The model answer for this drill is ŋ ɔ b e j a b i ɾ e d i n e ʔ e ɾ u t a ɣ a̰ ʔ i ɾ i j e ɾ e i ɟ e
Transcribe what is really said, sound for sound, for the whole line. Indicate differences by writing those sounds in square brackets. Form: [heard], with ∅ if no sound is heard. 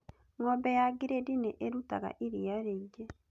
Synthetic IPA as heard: ŋ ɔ b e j a [ɡ] i ɾ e d i n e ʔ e ɾ u t a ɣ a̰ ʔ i ɾ i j [a] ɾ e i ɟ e